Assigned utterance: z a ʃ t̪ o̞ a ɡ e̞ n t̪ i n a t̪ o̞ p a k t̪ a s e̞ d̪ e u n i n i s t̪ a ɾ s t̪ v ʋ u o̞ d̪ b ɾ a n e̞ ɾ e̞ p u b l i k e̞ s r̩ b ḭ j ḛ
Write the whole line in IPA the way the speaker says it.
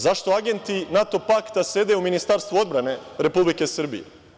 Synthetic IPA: z a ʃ t̪ o̞ a ɡ e̞ n t̪ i n a t̪ o̞ p a k t̪ a s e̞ d̪ e u m i n i s t̪ a ɾ s t̪ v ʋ u o̞ d̪ b ɾ a n e̞ ɾ e̞ p u b l i k e̞ s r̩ b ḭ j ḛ